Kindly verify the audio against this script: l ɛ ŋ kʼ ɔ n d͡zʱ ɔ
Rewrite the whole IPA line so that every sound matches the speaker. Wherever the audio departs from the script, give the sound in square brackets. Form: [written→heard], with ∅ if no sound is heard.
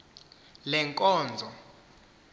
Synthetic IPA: l ɛ ŋ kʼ [ɔ→ɔː] n d͡zʱ ɔ